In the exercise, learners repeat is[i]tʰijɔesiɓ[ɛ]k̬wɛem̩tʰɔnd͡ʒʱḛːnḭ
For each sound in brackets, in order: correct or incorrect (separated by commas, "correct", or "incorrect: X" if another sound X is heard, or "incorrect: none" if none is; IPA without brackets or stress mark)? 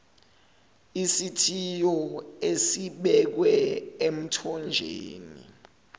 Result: correct, correct